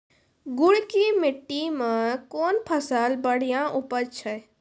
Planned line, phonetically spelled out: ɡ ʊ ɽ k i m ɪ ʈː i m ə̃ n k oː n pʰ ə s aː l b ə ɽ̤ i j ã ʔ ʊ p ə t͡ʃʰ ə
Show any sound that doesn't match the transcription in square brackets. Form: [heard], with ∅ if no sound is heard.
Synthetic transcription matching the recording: ɡ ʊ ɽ k i m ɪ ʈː i m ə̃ [∅] k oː n pʰ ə s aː l b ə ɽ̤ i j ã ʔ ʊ p ə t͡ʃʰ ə